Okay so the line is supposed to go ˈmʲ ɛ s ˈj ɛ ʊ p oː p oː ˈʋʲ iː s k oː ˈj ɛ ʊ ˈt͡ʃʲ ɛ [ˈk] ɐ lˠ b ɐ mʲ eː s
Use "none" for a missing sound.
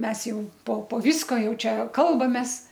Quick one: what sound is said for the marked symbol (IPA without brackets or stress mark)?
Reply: k